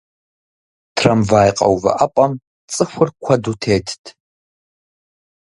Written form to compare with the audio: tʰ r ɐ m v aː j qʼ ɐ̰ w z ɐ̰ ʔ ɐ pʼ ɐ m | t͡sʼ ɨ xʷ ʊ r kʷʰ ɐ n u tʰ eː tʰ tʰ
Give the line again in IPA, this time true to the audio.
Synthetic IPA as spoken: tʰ r ɐ m v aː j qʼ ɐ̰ w v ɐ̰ ʔ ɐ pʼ ɐ m | t͡sʼ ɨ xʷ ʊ r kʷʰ ɐ d u tʰ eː tʰ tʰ